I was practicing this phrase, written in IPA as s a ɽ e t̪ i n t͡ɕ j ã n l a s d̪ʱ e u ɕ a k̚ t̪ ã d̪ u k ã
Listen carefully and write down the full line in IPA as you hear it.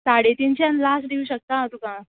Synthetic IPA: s a ɽ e t̪ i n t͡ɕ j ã n l a s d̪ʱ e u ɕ ə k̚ t̪ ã t̪ u k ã